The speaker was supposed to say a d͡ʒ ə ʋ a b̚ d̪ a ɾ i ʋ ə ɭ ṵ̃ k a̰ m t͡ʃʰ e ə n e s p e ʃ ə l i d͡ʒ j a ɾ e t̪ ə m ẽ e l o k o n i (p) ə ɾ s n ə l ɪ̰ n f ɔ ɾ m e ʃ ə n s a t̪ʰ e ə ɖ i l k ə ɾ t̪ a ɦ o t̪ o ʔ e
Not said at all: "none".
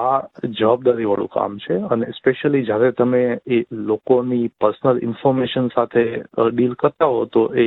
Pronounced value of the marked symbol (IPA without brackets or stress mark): p